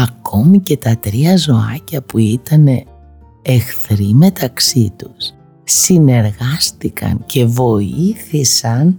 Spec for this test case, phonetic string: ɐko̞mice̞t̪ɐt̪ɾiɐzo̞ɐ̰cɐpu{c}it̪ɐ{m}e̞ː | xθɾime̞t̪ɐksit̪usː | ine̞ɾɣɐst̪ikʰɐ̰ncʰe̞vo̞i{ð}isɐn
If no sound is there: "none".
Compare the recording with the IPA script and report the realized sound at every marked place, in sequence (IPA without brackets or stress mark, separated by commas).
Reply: none, n, θ